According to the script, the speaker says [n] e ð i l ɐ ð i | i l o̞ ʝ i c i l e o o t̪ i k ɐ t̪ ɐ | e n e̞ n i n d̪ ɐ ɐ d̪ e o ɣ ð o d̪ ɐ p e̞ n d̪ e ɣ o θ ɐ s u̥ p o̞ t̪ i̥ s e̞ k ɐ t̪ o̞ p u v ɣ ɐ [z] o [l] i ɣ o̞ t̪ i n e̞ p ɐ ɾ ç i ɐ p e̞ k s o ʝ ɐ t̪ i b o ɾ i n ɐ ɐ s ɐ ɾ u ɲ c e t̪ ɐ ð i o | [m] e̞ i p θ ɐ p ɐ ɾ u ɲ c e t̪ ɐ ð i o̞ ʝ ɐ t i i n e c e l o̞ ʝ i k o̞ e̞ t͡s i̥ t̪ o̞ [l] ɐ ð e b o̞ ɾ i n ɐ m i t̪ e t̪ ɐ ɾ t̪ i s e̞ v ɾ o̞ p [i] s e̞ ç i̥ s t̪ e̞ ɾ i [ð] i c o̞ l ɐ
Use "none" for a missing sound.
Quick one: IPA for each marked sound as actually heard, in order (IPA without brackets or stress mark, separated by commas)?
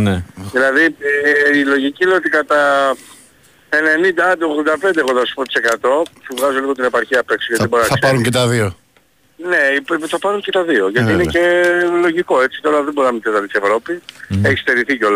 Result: n, z, l, n, ɾ, i, θ